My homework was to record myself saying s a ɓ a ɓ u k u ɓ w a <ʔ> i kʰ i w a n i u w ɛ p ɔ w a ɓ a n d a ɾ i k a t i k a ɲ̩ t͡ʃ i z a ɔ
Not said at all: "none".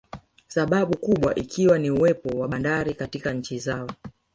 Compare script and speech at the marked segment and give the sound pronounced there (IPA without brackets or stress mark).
ʔ